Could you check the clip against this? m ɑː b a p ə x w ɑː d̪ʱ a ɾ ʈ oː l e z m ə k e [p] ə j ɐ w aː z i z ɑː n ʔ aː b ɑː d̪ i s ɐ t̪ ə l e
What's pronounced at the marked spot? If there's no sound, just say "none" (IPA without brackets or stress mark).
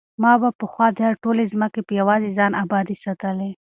p